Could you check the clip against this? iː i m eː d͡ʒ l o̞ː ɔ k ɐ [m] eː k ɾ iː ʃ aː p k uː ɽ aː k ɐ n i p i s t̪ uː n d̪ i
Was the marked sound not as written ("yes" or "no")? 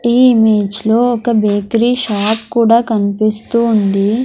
yes